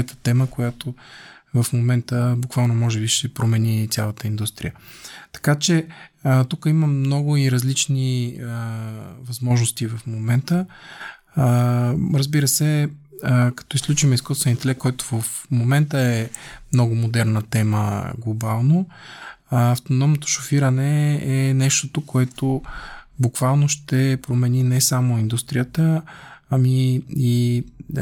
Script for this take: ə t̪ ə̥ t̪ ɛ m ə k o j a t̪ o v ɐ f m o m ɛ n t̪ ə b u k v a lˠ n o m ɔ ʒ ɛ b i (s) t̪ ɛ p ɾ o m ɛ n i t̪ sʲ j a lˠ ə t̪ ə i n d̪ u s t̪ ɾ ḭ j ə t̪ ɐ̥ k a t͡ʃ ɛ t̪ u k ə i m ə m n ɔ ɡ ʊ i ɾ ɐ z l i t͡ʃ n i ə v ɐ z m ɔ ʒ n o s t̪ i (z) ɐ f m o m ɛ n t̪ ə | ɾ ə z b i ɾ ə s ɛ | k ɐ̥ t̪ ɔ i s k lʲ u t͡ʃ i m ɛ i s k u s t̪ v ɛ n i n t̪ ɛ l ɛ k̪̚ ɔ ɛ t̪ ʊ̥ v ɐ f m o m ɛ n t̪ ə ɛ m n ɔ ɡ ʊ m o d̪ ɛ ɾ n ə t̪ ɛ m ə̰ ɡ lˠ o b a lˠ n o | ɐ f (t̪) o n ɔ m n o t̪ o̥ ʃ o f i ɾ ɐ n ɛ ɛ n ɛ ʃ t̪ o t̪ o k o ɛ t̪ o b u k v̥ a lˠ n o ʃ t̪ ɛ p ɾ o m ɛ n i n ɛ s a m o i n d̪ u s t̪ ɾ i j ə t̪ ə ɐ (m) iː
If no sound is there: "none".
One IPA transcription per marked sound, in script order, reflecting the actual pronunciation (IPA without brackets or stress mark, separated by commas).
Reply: ʃ, v, t̪, m